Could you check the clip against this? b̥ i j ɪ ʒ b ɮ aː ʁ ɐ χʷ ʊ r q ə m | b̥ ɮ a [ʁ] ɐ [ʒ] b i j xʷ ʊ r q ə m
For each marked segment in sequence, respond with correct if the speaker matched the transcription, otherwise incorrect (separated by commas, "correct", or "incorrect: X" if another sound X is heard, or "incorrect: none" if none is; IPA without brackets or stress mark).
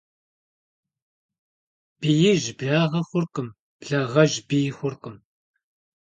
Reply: correct, correct